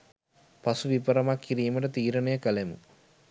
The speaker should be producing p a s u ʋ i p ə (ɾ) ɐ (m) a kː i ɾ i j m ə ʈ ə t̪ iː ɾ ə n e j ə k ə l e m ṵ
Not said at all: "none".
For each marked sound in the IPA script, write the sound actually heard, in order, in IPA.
ɾ, m

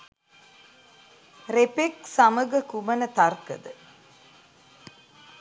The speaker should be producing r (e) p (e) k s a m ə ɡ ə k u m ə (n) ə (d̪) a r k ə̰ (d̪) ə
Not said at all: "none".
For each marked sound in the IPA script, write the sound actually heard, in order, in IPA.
e, e, n, t̪, d̪

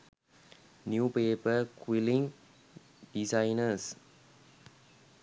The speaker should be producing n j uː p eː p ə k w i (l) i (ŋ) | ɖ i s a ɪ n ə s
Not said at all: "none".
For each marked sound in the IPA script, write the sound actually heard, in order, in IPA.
l, ŋ

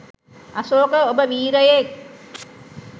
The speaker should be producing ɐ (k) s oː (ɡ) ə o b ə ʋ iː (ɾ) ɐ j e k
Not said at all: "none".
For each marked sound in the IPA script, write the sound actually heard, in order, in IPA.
none, k, ɾ

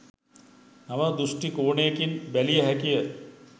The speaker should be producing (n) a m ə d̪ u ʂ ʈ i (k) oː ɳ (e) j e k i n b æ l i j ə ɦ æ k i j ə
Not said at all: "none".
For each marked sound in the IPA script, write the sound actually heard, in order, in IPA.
n, k, e

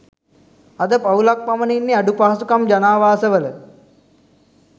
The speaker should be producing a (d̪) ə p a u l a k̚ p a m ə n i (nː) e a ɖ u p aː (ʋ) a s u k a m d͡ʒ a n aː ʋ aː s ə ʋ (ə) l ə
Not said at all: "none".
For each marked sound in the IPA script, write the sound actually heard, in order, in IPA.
d̪, nː, none, ə

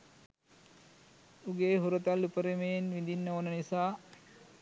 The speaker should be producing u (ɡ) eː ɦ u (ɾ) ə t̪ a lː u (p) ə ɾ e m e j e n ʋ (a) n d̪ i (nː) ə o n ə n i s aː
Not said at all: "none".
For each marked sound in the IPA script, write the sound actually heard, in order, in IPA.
ɡ, ɾ, p, i, nː

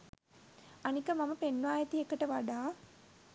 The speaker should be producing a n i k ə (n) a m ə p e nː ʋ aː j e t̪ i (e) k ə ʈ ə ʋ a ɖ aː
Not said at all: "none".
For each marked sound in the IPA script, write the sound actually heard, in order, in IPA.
m, e

